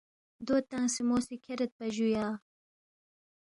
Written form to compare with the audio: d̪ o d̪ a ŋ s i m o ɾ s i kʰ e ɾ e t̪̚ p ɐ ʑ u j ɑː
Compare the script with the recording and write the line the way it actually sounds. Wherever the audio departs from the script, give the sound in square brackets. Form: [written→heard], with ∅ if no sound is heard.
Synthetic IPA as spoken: d̪ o [d̪→t̪] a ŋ s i m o [ɾ→∅] s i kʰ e ɾ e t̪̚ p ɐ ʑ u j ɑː

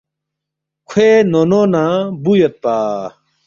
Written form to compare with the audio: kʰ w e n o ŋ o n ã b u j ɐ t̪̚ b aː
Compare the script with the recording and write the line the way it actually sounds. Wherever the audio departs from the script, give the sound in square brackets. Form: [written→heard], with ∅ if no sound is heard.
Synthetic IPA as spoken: kʰ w e n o [ŋ→n] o n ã b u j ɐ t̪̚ [b→p] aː

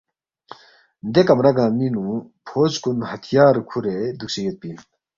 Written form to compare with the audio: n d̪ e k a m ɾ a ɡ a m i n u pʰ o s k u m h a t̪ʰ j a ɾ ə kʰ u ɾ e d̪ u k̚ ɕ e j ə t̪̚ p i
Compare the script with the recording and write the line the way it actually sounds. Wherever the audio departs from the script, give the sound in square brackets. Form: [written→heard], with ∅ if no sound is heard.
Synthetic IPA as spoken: n d̪ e k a m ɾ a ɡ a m i n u pʰ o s k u [m→n] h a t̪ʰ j a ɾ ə kʰ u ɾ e d̪ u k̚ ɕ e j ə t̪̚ p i

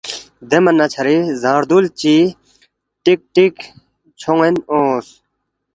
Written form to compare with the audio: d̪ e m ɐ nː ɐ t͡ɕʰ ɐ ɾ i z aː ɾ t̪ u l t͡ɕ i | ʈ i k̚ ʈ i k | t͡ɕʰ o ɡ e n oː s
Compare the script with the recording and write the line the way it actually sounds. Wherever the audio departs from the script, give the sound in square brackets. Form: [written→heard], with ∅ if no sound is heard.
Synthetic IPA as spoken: d̪ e m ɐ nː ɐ t͡ɕʰ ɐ ɾ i z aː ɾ [t̪→d̪] u l t͡ɕ i | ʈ i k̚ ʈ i k | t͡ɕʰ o [ɡ→ŋ] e n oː s

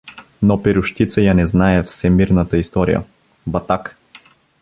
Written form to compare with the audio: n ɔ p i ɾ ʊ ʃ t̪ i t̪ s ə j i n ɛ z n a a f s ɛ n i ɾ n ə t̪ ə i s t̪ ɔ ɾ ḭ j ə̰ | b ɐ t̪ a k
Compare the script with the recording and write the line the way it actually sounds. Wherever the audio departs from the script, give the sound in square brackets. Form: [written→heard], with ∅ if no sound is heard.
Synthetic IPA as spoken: n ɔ p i ɾ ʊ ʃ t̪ i t̪ s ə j [i→a] n ɛ z n a [a→ɛ] f s ɛ [n→m] i ɾ n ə t̪ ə i s t̪ ɔ ɾ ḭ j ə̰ | b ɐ t̪ a k

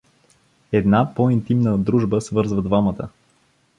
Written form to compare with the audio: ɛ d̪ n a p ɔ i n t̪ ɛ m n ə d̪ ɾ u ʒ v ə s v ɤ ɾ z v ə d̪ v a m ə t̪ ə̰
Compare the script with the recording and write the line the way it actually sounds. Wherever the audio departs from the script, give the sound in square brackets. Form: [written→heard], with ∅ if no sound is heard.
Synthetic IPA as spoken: ɛ d̪ n a p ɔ i n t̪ [ɛ→i] m n ə d̪ ɾ u ʒ [v→b] ə s v ɤ ɾ z v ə d̪ v a m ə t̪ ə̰

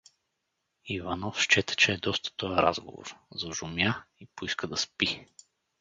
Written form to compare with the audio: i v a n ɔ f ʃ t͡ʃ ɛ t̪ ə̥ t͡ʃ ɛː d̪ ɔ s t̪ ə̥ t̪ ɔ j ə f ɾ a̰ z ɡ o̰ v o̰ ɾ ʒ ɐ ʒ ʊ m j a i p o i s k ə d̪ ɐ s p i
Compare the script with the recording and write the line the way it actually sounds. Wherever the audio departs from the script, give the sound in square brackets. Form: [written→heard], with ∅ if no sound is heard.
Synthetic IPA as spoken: i v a n ɔ f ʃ t͡ʃ ɛ t̪ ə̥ t͡ʃ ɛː d̪ ɔ s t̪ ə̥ t̪ ɔ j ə [f→∅] ɾ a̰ z ɡ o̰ v o̰ ɾ [ʒ→z] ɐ ʒ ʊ m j a i p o i s k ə d̪ ɐ s p i

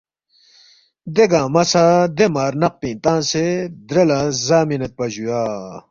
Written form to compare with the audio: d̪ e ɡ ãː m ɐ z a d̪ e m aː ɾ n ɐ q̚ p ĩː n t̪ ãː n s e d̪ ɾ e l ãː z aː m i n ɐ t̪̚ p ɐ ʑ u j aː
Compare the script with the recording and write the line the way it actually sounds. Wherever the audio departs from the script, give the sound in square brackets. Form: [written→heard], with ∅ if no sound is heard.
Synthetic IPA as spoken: d̪ e ɡ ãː m ɐ [z→s] a d̪ e m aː ɾ n ɐ q̚ p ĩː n t̪ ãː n s e d̪ ɾ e l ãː z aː m i n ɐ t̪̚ p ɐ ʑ u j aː

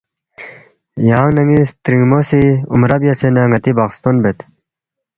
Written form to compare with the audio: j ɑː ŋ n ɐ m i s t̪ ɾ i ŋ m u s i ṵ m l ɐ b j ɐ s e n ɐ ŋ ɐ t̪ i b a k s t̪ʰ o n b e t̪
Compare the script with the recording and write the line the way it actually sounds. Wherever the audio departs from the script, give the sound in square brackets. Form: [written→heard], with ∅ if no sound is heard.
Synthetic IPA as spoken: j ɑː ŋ n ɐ [m→ŋ] i s t̪ ɾ i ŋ m [u→o] s i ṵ m [l→ɾ] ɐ b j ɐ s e n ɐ ŋ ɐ t̪ i b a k s [t̪ʰ→t̪] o n b e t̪

